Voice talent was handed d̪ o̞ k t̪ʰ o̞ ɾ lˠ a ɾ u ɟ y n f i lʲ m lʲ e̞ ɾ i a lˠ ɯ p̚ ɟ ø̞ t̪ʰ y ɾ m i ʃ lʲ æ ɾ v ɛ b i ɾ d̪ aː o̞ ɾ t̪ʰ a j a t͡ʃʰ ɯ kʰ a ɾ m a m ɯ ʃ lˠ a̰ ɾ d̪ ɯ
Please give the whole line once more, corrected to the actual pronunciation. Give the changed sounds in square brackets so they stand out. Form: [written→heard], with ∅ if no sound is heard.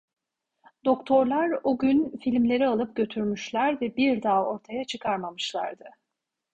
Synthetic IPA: d̪ o̞ k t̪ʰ o̞ ɾ lˠ a ɾ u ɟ y n f i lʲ m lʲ e̞ ɾ i a lˠ ɯ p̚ ɟ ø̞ t̪ʰ y ɾ m [i→y] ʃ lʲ æ ɾ v ɛ b i ɾ d̪ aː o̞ ɾ t̪ʰ a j a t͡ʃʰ ɯ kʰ a ɾ m a m ɯ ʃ lˠ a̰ ɾ d̪ ɯ